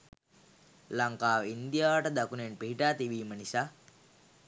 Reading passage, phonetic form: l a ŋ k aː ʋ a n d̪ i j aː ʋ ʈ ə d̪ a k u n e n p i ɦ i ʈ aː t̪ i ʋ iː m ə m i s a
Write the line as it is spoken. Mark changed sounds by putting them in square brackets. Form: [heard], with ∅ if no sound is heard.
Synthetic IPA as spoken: l a ŋ k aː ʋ [i] n d̪ i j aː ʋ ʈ ə d̪ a k u n e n p i ɦ i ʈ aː t̪ i ʋ iː m ə [n] i s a